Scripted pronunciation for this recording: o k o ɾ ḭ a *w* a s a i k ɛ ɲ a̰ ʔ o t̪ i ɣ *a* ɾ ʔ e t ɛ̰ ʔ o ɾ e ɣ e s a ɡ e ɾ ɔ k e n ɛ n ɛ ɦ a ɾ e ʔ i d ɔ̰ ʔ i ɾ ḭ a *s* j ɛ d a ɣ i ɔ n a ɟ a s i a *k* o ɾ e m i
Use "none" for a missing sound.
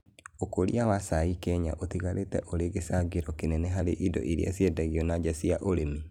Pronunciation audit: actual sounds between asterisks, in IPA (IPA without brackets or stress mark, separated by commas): w, a, s, ʔ